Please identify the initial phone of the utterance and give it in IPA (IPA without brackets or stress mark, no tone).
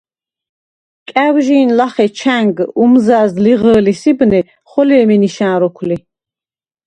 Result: kʼ